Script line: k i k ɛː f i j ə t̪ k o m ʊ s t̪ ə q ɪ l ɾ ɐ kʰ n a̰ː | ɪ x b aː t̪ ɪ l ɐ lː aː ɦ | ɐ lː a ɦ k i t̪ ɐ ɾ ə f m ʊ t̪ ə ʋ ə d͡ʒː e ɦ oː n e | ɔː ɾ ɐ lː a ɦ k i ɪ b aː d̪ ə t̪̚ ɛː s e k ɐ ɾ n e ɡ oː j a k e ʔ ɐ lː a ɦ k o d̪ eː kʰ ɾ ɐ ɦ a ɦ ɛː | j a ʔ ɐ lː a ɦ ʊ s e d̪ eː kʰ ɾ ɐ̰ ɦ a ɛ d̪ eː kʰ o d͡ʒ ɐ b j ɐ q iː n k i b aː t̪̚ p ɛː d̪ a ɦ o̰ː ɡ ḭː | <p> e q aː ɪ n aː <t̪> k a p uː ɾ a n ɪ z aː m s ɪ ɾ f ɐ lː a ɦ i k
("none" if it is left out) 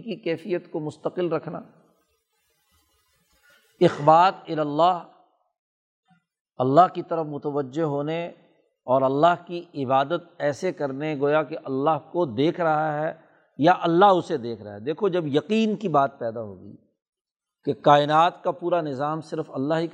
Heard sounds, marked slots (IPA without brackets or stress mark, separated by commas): k, t̪